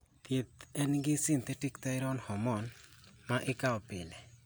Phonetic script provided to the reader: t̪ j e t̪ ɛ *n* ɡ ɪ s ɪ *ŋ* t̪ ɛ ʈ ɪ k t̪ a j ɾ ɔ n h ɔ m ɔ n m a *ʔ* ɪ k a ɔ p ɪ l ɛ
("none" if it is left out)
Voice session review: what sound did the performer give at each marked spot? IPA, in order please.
n, n, ʔ

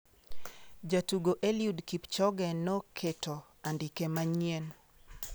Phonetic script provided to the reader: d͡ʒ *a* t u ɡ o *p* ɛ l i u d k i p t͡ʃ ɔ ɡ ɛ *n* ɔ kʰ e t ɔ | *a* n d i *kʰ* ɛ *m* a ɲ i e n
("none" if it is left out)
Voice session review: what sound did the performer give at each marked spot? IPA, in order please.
a, ʔ, n, a, k, m

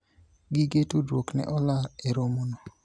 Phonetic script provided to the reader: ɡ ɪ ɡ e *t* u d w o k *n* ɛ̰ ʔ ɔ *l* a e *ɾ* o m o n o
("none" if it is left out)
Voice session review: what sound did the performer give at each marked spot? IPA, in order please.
t, n, l, ɾ

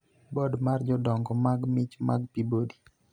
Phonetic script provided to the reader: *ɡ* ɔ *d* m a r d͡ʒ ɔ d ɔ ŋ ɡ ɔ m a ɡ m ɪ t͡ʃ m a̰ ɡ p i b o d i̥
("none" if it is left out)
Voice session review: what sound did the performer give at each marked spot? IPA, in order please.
b, d

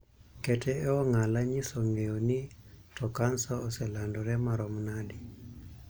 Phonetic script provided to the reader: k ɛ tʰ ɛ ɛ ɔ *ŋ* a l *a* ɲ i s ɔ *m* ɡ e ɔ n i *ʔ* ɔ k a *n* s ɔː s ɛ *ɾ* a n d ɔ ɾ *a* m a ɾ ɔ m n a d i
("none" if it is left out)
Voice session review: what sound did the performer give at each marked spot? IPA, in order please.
ŋ, a, ŋ, t, n, l, ɛ

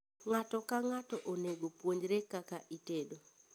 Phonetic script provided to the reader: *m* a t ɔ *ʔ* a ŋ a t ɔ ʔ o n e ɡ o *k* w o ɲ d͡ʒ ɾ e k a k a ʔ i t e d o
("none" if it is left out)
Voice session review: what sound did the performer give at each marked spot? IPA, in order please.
ŋ, k, p

